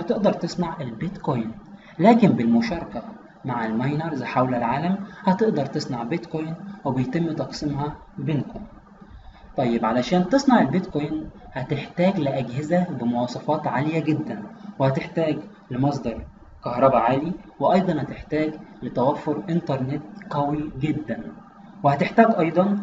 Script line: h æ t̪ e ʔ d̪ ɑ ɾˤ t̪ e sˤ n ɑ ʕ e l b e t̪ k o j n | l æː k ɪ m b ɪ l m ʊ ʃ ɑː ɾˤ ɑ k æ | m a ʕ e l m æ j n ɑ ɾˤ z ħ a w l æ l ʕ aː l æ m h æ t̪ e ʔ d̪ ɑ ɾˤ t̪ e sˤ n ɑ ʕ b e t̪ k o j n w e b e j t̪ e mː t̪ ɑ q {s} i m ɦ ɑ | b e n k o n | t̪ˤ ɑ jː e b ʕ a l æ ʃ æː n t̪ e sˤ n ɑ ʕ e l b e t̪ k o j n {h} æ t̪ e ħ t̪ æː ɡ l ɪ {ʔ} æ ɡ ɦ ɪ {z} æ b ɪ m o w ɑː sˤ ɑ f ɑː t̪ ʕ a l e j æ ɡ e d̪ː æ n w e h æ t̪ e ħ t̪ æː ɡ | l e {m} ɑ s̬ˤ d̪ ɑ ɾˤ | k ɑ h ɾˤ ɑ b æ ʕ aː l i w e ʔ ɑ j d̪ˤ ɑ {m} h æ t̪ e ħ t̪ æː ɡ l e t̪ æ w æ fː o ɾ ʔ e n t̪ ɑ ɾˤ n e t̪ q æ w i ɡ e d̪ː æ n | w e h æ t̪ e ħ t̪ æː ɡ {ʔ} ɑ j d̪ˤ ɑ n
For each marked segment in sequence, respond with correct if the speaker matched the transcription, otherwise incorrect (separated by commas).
correct, correct, correct, correct, correct, incorrect, correct